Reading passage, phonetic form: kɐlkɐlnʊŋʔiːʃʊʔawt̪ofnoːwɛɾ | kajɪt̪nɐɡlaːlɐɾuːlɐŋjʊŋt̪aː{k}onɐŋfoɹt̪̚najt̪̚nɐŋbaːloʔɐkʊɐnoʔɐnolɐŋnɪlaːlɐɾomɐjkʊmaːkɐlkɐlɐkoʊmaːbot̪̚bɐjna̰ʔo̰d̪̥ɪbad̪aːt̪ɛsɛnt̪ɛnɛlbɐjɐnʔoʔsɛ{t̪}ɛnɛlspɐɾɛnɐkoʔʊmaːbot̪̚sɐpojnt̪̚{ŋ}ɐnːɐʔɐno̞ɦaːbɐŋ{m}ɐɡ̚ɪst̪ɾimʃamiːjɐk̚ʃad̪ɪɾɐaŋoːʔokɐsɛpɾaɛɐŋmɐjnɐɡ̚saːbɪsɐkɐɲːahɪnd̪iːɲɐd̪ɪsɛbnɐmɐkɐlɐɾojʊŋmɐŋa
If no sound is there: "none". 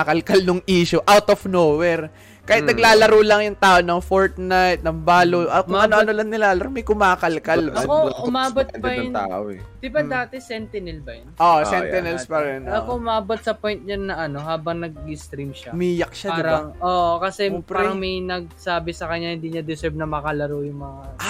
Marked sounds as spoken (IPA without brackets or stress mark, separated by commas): ʔ, t̪, ɲ, n